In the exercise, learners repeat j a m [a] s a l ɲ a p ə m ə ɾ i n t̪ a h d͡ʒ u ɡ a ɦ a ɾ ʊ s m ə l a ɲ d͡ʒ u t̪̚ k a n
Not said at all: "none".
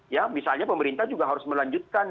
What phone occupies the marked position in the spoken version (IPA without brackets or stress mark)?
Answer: i